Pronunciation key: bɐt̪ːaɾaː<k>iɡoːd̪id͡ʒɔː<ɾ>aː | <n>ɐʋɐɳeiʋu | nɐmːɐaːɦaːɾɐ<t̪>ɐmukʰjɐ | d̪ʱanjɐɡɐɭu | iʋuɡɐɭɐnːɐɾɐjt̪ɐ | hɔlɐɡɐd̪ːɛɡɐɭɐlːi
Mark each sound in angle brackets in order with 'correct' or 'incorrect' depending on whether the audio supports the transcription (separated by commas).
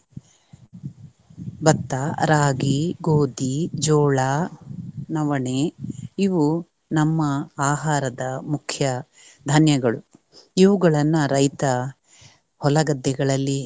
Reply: incorrect, incorrect, correct, incorrect